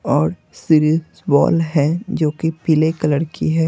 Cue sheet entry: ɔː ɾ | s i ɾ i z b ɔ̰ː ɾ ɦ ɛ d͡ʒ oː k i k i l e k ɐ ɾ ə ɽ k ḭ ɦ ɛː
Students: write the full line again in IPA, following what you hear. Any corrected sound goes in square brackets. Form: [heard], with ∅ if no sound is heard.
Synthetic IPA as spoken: ɔː ɾ | s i ɾ i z b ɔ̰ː [l] ɦ ɛ d͡ʒ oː k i [p] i l e k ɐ [l] ə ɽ k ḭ ɦ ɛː